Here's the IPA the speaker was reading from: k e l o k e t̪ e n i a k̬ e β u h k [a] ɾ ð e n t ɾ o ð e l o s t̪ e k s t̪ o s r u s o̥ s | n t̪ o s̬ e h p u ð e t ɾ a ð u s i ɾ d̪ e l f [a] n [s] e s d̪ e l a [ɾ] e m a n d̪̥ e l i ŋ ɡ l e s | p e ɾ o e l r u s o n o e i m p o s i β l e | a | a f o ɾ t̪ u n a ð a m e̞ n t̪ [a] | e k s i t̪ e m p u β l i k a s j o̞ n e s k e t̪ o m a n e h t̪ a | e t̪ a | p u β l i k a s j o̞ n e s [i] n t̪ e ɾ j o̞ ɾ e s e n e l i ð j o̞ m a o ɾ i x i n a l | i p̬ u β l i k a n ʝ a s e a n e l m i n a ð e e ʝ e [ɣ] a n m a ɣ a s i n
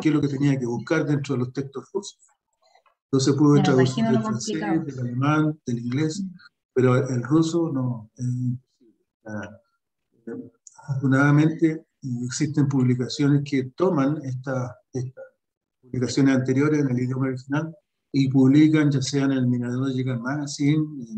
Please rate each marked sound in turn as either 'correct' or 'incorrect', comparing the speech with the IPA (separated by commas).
correct, correct, correct, incorrect, incorrect, incorrect, correct